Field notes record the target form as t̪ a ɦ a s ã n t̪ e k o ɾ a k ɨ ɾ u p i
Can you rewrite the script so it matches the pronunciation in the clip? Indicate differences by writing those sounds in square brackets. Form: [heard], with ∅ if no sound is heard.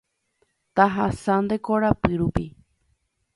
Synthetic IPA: t̪ a ɦ a s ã n [d̪] e k o ɾ a [p] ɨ ɾ u p i